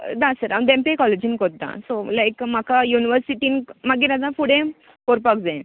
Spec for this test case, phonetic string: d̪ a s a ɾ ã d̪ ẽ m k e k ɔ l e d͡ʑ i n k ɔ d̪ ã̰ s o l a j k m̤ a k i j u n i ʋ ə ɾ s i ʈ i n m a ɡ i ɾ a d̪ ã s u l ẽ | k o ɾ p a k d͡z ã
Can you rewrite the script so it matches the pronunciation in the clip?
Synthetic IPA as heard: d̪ a s ə ɾ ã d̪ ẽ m p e k ɔ l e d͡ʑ i n k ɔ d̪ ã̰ s o l a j k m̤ a k a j u n i ʋ ə ɾ s i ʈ i n m a ɡ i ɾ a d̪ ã f u ɽ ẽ | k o ɾ p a k d͡z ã